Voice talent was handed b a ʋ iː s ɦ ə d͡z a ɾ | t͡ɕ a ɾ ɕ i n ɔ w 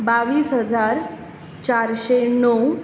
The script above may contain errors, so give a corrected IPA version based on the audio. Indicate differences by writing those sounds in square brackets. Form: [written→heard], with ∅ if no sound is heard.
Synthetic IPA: b a ʋ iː s ɦ ə d͡z a ɾ | t͡ɕ a ɾ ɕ [i→e] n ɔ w